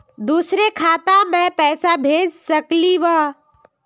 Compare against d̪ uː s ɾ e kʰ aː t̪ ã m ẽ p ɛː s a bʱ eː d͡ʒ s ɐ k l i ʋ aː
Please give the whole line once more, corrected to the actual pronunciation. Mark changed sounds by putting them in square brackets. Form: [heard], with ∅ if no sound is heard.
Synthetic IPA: d̪ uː s ɾ e kʰ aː t̪ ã m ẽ p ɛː s a bʱ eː d͡ʒ s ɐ k l i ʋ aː